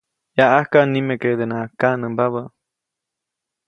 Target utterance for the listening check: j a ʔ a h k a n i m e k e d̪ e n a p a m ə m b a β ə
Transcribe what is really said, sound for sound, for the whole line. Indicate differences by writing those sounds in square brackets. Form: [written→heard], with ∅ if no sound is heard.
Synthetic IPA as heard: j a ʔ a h k a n i m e k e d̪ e n a [p→k] a [m→n] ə m b a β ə